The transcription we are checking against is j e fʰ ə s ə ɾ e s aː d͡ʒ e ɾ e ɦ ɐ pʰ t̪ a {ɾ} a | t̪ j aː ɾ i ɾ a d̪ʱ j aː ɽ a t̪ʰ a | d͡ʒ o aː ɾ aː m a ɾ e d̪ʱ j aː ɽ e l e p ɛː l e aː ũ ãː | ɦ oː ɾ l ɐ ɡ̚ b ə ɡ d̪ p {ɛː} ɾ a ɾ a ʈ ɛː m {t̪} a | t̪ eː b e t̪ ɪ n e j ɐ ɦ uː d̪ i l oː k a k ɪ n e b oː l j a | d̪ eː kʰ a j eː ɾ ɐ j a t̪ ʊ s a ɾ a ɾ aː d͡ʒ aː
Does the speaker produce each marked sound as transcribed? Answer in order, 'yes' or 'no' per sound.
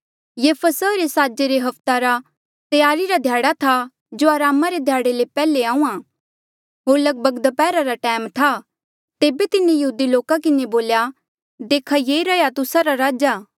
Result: yes, yes, no

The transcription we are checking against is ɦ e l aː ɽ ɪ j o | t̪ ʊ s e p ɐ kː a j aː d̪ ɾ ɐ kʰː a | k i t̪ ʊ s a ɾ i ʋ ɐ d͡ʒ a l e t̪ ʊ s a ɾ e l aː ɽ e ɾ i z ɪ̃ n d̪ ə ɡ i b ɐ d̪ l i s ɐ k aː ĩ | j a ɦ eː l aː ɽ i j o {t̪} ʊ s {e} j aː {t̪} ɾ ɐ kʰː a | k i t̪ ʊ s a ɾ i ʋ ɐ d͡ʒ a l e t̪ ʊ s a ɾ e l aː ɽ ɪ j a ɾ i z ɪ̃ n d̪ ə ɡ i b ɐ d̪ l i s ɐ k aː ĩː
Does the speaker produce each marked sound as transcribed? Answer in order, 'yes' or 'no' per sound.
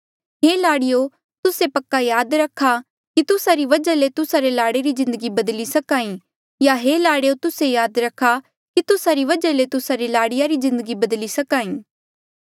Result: yes, yes, no

